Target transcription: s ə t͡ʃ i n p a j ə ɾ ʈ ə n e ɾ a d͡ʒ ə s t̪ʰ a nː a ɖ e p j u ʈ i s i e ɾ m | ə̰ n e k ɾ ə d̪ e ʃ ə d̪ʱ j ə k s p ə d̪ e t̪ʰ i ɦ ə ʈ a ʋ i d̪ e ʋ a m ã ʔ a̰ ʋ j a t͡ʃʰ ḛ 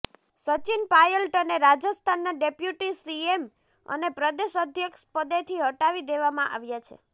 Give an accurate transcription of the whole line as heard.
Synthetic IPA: s ə t͡ʃ i n p a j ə l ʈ ə n e ɾ a d͡ʒ ə s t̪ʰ a nː a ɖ e p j u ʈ i s i e m | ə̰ n e p ɾ ə d̪ e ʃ ə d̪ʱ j ə k ʃ p ə d̪ e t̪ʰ i ɦ ə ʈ a ʋ i d̪ e ʋ a m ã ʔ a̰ ʋ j a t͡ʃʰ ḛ